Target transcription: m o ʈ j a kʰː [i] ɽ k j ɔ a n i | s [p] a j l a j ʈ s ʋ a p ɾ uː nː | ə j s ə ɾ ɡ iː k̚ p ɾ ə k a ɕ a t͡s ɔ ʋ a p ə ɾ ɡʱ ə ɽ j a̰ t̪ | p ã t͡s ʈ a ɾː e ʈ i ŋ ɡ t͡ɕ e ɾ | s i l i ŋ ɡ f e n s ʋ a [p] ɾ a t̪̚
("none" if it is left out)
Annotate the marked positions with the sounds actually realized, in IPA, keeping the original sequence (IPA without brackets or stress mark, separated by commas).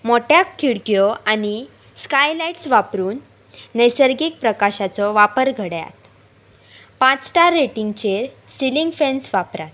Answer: i, k, p